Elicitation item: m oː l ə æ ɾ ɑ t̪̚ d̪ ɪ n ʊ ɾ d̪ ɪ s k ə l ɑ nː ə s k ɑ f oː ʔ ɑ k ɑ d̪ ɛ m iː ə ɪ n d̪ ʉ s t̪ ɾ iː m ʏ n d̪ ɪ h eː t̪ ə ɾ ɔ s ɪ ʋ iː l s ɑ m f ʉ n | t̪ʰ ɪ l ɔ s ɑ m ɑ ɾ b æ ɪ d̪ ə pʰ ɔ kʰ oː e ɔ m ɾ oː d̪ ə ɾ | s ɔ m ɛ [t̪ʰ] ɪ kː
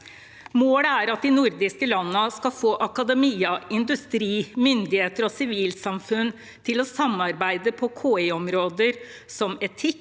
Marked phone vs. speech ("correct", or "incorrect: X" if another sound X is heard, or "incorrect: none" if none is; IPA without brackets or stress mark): correct